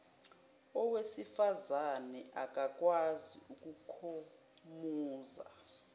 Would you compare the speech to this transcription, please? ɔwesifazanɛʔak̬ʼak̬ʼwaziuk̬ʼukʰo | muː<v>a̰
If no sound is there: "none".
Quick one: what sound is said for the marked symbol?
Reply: z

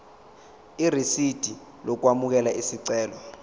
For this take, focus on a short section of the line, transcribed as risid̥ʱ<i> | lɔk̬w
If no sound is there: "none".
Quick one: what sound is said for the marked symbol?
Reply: i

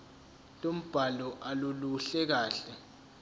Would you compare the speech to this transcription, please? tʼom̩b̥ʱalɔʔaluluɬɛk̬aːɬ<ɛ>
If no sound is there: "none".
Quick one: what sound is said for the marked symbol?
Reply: ɛ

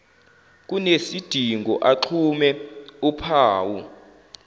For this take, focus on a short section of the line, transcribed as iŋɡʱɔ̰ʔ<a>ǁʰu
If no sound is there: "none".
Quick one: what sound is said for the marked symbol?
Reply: a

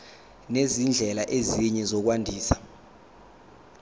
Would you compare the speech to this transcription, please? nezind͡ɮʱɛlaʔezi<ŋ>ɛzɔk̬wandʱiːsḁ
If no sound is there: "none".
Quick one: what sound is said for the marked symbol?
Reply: ɲ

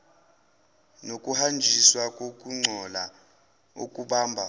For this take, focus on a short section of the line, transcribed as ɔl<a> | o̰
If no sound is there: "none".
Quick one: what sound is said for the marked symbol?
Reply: a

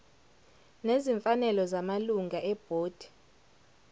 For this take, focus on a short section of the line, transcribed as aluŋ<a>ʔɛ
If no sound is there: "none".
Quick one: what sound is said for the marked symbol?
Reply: a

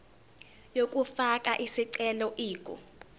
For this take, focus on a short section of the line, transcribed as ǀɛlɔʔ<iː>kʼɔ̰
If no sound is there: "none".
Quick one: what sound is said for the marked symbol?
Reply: iː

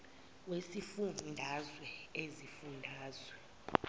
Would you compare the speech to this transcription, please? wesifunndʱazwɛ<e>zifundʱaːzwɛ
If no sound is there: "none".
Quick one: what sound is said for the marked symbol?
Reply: e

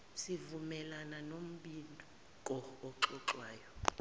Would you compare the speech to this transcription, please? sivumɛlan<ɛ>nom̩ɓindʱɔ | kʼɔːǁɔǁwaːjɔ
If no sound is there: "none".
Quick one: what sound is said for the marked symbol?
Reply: a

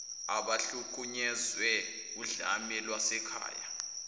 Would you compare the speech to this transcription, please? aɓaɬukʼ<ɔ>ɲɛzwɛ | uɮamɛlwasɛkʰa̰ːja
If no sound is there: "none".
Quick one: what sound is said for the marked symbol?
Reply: u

